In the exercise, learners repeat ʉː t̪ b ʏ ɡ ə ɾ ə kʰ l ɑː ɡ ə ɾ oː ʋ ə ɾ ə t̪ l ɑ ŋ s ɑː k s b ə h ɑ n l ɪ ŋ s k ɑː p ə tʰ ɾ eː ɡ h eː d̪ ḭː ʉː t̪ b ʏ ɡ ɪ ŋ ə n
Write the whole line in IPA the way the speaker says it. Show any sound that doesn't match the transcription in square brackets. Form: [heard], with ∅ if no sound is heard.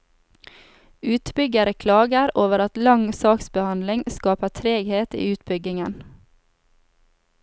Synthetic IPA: ʉː t̪ b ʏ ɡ ə ɾ ə kʰ l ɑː ɡ ə ɾ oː ʋ ə ɾ [ɑ] t̪ l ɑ ŋ s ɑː k s b ə h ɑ n l ɪ ŋ s k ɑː p ə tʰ ɾ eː ɡ h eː [t̪] ḭː ʉː t̪ b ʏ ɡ ɪ ŋ ə n